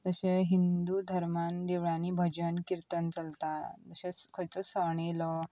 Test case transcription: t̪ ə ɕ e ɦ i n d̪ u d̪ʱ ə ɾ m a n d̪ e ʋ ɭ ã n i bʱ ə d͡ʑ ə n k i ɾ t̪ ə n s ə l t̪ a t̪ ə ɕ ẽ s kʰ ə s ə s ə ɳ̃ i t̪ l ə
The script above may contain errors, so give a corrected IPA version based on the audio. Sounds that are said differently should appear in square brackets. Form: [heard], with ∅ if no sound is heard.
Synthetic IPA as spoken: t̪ ə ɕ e ɦ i n d̪ u d̪ʱ ə ɾ m a n d̪ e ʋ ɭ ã n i bʱ ə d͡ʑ ə n k i ɾ t̪ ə n [t͡s] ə l t̪ a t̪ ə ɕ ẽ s kʰ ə [t͡s] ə s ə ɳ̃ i [∅] l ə